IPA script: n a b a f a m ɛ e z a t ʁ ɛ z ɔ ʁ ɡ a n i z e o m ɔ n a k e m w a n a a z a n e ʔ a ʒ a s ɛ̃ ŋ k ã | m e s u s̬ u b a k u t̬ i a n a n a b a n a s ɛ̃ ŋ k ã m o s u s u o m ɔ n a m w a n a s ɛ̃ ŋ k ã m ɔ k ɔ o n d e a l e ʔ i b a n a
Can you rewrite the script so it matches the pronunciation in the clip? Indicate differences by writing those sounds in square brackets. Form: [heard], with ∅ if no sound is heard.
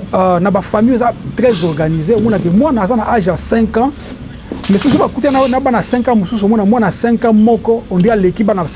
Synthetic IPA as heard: n a b a f a m [i] e z a t ʁ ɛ z ɔ ʁ ɡ a n i z e o m ɔ n a k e m w a n a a z a n [a] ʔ a ʒ a s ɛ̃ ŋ k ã | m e s u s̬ u b a k u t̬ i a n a n a b a n a s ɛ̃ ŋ k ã m o s u s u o m ɔ n a m w a n a s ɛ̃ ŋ k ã m ɔ k ɔ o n d e a l e [k] i b a n a

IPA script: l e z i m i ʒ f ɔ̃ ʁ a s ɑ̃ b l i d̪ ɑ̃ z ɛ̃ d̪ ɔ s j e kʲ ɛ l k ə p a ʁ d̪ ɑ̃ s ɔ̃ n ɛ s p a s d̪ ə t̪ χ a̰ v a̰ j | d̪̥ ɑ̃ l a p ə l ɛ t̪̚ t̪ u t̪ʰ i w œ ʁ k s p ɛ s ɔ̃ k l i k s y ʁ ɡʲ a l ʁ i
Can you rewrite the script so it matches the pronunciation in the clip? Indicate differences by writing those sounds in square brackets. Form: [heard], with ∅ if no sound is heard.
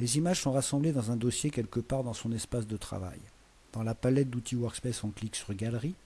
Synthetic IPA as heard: l e z i m [a] ʒ [s] ɔ̃ ʁ a s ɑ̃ b l [e] d̪ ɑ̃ z ɛ̃ d̪ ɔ s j e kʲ ɛ l k ə p a ʁ d̪ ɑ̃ s ɔ̃ n ɛ s p a s d̪ ə t̪ χ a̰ v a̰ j | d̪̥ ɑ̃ l a p [a] l ɛ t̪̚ [d̪] u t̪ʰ i w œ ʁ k s p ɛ s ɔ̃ k l i k s y ʁ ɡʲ a l ʁ i

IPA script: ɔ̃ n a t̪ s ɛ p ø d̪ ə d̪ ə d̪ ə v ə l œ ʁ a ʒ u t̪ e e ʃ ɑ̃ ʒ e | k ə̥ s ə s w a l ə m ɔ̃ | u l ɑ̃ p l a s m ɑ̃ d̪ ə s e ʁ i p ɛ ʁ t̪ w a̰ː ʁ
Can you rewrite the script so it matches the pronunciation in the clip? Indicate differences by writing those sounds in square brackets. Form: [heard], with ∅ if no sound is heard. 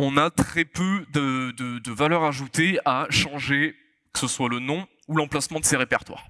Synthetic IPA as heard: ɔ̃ n a t̪ [χ] ɛ p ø d̪ ə d̪ ə d̪ ə v [a] l œ ʁ a ʒ u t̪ e [a] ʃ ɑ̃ ʒ e | k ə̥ s ə s w a l ə [n] ɔ̃ | u l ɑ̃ p l a s m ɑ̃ d̪ ə s e ʁ [e] p ɛ ʁ t̪ w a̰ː ʁ

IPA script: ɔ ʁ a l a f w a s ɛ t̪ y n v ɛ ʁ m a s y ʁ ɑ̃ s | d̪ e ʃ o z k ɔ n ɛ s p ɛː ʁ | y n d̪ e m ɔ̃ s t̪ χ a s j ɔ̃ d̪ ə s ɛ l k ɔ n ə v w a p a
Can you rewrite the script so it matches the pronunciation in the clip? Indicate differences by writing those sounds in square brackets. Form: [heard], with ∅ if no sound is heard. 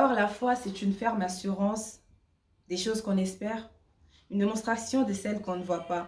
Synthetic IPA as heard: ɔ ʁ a l a f w a s ɛ t̪ y n [f] ɛ ʁ m a s y ʁ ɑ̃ s | d̪ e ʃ o z k [ɔ̃] n ɛ s p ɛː ʁ | y n d̪ e m ɔ̃ s t̪ χ a s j ɔ̃ d̪ ə s ɛ l k [ɔ̃] n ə v w a p a

